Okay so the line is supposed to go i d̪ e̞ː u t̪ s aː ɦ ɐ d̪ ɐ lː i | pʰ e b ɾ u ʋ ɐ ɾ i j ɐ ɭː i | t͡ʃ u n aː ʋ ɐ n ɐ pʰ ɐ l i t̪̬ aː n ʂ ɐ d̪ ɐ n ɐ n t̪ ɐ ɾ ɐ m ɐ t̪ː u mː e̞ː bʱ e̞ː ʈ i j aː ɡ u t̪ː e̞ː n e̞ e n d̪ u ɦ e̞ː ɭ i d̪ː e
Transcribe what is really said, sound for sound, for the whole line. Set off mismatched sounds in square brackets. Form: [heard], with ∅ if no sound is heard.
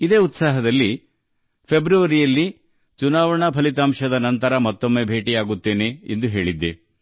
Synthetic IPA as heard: i d̪ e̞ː u t̪ s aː ɦ ɐ d̪ ɐ lː i | pʰ e b ɾ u ʋ ɐ ɾ i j ɐ [lː] i | t͡ʃ u n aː ʋ ɐ [ɳ] ɐ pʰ ɐ l i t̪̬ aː [m] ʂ ɐ d̪ ɐ n ɐ n t̪ ɐ ɾ ɐ m ɐ t̪ː [o] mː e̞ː bʱ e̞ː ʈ i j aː ɡ u t̪ː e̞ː n e̞ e n d̪ u ɦ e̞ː ɭ i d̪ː e